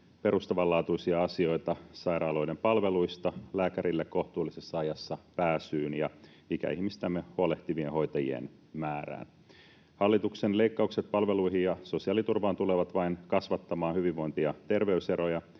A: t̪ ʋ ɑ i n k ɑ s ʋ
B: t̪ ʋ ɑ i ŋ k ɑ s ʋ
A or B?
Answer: A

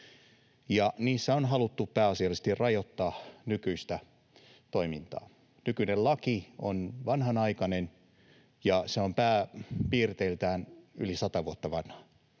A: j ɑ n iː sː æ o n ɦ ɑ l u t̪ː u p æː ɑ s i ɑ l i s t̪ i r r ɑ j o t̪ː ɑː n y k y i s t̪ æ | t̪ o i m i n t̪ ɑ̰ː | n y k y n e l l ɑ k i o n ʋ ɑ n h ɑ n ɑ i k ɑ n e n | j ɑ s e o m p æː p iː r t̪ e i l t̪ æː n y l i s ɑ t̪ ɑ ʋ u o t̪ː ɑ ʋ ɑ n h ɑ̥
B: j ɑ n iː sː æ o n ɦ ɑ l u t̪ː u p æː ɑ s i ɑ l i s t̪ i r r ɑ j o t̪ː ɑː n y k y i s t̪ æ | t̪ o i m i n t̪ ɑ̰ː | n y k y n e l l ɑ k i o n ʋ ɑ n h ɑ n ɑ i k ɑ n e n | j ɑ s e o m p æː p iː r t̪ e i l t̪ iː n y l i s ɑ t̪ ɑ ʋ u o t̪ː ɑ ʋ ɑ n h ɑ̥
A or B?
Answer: A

